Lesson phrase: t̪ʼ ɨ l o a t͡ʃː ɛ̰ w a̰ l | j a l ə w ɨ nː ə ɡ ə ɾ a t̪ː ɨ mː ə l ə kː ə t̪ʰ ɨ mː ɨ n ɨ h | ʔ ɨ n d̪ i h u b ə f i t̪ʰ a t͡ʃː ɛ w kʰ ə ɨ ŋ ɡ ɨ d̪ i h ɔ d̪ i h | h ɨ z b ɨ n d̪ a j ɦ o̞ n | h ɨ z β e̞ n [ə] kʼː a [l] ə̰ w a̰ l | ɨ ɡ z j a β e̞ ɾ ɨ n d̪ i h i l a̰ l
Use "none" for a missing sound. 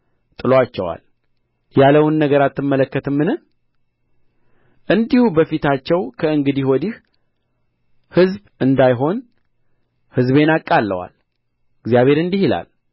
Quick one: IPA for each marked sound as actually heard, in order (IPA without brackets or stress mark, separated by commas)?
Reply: a, lː